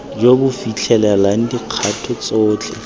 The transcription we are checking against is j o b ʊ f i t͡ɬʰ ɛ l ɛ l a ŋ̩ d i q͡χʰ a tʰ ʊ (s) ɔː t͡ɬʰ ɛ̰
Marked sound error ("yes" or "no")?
yes